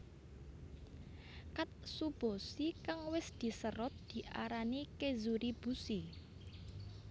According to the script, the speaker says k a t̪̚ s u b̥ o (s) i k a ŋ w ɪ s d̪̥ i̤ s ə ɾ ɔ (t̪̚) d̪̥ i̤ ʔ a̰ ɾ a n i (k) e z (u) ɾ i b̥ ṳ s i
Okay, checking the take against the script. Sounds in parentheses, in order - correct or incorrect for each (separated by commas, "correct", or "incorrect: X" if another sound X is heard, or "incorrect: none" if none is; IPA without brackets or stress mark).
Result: correct, correct, correct, correct